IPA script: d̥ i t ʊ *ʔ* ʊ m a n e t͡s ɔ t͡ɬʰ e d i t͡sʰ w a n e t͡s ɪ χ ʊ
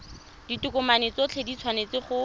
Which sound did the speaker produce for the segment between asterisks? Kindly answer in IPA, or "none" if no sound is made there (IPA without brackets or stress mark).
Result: k